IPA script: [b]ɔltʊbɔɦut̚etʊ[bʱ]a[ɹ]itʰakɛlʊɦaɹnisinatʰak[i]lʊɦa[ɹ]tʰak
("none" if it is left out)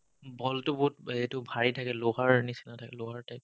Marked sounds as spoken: b, bʱ, ɹ, ɛ, ɹ

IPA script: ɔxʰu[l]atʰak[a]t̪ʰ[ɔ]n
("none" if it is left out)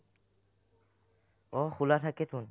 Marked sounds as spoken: l, e, u

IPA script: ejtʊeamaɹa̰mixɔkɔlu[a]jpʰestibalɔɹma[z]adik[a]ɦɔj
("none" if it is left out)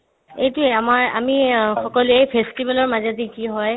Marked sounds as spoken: e, z, i

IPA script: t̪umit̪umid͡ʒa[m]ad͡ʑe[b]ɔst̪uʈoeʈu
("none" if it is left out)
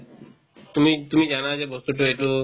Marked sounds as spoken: n, b

